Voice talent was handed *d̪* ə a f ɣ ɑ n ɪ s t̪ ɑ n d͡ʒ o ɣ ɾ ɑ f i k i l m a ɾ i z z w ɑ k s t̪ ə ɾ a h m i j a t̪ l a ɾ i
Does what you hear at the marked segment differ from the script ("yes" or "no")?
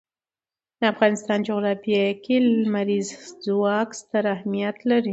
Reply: no